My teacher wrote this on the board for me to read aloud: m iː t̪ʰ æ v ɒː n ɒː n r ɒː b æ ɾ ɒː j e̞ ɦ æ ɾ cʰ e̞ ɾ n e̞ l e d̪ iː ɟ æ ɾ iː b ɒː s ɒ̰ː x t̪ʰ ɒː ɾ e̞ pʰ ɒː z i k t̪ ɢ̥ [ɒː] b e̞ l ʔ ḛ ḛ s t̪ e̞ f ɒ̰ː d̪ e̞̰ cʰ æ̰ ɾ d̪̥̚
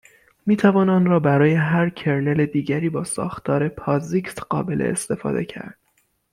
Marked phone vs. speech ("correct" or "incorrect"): correct